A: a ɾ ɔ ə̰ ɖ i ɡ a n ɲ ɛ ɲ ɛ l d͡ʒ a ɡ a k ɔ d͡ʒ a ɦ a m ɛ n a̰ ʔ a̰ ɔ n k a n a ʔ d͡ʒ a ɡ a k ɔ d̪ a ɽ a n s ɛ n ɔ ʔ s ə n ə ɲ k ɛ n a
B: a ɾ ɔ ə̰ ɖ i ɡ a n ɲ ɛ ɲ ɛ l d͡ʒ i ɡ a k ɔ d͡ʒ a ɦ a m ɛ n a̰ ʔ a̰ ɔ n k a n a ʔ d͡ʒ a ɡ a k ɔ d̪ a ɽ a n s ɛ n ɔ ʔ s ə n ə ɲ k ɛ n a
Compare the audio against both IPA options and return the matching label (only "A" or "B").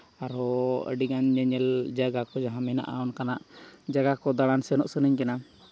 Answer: A